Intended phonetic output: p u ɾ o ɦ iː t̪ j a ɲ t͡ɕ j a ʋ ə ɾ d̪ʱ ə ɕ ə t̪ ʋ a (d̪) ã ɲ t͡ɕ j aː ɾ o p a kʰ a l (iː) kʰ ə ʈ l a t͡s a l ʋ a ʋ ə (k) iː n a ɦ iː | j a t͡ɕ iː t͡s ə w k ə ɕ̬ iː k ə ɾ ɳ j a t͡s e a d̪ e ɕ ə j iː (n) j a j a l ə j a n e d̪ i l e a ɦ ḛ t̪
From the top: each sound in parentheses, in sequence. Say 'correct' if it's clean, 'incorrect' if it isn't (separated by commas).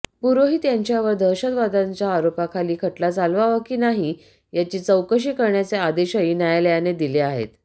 correct, correct, correct, correct